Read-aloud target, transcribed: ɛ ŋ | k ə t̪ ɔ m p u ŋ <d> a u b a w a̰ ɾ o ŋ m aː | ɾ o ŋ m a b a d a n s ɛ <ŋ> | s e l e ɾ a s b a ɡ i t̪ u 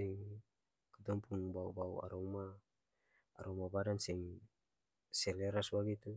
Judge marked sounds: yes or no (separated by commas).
no, yes